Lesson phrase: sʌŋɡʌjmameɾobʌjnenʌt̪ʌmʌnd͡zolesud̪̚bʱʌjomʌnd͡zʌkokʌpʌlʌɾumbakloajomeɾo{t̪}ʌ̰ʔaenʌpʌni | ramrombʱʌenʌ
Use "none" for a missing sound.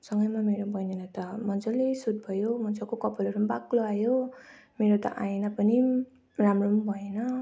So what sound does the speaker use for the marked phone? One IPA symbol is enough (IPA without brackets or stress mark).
t̪